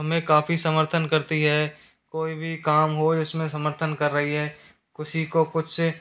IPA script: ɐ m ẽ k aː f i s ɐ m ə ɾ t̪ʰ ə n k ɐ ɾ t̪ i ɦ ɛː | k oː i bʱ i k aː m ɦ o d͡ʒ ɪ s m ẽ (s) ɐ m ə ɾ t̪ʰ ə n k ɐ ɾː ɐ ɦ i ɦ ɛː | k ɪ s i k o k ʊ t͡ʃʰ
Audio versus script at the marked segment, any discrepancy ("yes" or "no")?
no